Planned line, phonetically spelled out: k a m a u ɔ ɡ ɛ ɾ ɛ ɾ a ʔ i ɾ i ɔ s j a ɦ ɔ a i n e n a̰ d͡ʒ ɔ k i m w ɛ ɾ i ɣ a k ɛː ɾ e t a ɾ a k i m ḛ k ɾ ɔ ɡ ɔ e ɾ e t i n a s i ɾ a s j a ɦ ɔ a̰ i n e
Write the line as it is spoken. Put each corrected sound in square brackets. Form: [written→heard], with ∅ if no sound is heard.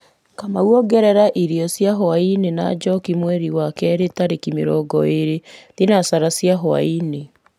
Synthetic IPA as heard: k a m a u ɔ ɡ ɛ ɾ ɛ ɾ a ʔ i ɾ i ɔ s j a ɦ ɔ a i n e n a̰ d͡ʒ ɔ k i m w ɛ ɾ i [ɣ→w] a k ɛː ɾ e t a ɾ [a→e] k i m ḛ [k→∅] ɾ ɔ ɡ ɔ e ɾ e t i n a s [i→a] ɾ a s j a ɦ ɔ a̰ i n e